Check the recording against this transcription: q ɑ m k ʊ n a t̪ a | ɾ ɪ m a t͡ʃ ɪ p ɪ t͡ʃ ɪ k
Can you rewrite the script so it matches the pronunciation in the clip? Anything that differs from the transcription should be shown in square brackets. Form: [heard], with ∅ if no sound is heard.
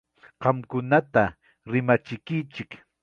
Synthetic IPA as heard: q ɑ m k ʊ n a t̪ a | ɾ ɪ m a t͡ʃ ɪ [k] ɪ t͡ʃ ɪ k